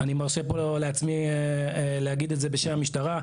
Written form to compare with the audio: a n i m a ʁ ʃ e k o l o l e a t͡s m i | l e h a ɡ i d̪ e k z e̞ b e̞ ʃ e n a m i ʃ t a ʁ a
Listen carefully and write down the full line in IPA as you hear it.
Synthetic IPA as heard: a n i m a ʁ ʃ e p o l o l e a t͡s m i | l e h a ɡ i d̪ e t z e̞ b e̞ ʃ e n a m i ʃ t a ʁ a